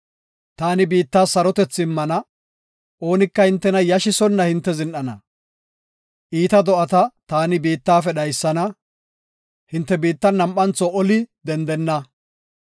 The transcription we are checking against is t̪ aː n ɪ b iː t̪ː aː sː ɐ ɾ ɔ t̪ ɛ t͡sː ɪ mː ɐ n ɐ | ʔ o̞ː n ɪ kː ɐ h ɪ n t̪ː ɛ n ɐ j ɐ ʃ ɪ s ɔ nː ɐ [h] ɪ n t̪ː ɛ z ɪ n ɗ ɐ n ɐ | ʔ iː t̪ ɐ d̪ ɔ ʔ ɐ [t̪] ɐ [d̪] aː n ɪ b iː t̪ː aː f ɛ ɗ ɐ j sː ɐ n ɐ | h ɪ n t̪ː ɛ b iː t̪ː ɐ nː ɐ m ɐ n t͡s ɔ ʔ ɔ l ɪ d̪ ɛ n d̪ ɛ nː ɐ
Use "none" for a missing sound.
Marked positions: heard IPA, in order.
h, t̪, t̪

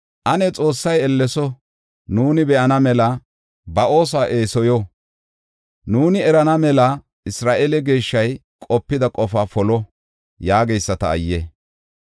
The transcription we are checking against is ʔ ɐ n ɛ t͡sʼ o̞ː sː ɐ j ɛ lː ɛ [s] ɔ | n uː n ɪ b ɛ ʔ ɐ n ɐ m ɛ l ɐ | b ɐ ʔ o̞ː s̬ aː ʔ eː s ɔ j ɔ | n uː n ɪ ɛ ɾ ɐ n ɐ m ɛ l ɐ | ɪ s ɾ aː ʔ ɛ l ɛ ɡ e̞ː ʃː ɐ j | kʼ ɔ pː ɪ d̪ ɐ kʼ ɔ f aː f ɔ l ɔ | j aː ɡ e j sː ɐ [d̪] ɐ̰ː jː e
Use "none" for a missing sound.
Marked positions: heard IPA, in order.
s, t̪

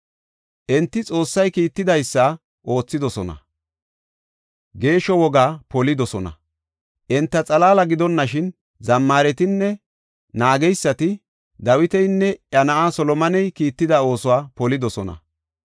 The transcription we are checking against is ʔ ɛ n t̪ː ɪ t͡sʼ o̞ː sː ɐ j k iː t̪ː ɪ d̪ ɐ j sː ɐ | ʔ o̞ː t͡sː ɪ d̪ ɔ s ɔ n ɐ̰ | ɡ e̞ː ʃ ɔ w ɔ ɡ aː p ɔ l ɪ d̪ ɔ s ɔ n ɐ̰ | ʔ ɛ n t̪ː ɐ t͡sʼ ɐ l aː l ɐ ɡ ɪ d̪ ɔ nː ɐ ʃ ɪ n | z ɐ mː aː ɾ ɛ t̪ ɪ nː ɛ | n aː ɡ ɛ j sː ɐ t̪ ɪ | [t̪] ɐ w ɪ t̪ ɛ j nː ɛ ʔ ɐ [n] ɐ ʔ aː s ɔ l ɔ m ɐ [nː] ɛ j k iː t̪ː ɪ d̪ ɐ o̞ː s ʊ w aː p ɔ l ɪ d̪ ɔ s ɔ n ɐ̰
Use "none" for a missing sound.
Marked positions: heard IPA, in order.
d̪, n, n

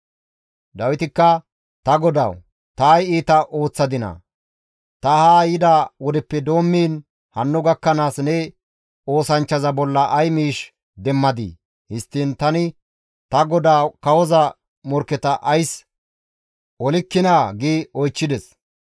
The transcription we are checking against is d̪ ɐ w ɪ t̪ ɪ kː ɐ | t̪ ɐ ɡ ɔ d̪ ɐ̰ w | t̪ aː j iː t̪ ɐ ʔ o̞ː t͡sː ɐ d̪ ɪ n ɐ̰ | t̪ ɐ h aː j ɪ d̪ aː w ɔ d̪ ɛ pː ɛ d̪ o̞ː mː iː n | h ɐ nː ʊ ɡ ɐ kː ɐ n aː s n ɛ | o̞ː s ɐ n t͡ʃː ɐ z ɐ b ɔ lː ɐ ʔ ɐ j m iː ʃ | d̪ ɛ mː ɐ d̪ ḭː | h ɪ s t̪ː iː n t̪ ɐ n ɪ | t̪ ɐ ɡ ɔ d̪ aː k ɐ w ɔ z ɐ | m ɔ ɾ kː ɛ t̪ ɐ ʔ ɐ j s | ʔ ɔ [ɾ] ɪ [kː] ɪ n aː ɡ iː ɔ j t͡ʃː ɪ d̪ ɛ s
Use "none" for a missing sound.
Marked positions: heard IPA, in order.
l, kː

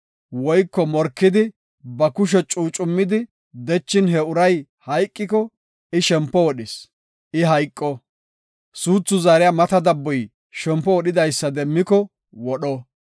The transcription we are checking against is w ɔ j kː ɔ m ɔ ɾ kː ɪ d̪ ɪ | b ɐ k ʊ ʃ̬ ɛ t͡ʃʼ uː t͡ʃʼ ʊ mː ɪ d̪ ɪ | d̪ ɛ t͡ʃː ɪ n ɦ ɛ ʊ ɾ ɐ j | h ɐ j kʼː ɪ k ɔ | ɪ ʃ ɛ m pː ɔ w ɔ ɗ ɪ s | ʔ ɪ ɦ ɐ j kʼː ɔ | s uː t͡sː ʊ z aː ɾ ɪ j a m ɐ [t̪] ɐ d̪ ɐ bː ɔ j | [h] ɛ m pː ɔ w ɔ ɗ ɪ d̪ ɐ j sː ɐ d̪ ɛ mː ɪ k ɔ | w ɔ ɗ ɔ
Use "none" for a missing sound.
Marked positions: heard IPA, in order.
t̪, ʃ

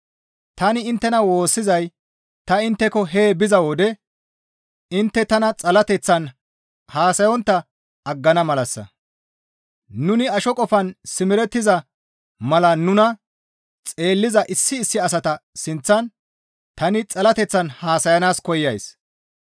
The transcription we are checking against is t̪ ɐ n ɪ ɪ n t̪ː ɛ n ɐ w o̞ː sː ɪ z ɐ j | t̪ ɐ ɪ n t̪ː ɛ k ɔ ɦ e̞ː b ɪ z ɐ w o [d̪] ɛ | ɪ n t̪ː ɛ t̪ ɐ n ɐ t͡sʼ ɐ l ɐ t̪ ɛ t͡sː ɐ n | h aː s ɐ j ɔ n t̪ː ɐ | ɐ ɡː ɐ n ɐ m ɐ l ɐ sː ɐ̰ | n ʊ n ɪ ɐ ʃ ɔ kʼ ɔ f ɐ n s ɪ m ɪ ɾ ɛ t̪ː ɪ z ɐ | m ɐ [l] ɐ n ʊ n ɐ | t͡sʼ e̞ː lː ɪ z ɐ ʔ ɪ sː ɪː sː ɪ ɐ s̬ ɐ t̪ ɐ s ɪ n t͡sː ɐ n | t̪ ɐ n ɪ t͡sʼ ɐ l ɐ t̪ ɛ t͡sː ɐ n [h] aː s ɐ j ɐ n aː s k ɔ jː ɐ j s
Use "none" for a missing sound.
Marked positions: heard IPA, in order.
d̪, l, h

